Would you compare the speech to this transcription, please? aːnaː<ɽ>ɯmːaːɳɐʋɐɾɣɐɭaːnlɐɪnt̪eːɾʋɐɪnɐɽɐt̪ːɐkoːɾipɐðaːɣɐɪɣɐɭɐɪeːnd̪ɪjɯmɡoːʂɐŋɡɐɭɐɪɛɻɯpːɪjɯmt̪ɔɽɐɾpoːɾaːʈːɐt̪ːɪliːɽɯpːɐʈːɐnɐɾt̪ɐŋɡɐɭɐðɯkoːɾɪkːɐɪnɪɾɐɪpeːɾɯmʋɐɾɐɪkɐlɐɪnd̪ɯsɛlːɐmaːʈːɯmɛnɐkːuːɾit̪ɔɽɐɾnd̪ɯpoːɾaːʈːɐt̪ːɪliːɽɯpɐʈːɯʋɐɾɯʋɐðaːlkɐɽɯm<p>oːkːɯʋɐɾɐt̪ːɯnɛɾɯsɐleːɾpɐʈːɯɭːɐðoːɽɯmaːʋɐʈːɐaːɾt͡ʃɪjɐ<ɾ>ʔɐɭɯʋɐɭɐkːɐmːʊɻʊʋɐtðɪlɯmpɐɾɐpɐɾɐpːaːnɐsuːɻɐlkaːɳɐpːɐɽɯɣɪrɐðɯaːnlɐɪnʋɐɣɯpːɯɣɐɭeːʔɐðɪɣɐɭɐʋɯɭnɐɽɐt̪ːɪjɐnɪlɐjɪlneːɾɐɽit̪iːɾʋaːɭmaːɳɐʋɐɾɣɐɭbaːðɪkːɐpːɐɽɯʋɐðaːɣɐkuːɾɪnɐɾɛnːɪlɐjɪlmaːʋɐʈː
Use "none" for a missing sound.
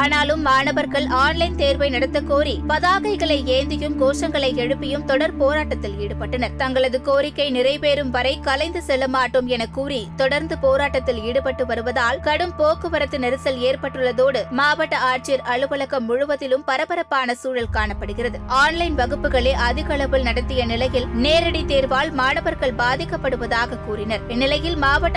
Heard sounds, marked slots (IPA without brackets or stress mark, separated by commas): l, p, ɾ